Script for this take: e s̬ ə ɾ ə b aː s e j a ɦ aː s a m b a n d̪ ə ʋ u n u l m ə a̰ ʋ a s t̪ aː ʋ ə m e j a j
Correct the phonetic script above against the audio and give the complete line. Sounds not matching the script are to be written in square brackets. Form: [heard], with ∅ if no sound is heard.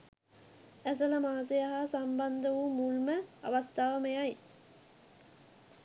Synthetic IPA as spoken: [æ] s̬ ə [l] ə [m] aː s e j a ɦ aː s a m b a n d̪ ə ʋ u [m] u l m ə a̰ ʋ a s t̪ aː ʋ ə m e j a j